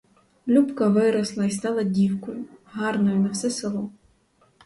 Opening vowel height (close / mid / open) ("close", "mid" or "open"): close